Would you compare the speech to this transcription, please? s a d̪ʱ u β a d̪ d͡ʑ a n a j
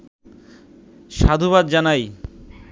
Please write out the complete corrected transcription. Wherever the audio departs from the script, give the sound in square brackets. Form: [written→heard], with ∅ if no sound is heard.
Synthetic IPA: [s→ʃ] a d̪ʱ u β a d̪ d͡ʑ a n a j